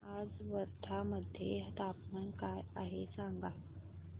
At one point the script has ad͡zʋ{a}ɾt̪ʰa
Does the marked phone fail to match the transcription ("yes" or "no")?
yes